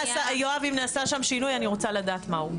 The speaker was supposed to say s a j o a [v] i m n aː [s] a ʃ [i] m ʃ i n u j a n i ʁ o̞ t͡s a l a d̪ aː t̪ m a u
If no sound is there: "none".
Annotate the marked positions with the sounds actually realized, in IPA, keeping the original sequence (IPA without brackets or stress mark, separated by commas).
v, s, a